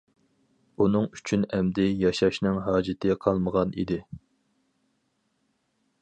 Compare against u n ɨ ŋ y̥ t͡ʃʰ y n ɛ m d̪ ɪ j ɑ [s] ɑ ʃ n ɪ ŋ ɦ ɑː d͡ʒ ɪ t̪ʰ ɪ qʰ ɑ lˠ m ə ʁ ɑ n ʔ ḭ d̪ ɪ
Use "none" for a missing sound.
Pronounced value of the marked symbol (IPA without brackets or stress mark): ʃ